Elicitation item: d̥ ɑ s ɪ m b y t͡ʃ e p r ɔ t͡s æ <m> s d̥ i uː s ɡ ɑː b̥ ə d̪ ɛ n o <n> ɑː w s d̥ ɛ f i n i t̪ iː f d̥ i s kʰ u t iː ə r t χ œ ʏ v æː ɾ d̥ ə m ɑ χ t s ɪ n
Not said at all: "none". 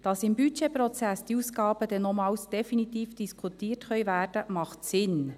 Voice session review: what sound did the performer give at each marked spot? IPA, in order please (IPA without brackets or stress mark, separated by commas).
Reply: none, m